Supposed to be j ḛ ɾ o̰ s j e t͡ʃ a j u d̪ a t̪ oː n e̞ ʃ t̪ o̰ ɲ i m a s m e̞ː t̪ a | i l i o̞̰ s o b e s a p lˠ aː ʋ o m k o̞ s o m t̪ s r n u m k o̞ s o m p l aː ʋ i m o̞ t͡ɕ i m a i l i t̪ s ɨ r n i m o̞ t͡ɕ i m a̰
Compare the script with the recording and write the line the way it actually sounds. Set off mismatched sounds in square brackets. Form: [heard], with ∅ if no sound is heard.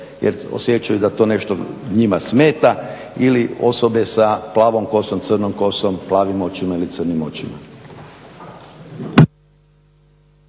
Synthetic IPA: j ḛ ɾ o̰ s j e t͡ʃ a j u d̪ a t̪ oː n e̞ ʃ t̪ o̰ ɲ i m a s m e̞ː t̪ a | i l i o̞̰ s o b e s a p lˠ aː ʋ o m k o̞ s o m t̪ s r n [o] m k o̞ s o m p l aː ʋ i m o̞ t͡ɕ i m a i l i t̪ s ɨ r n i m o̞ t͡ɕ i m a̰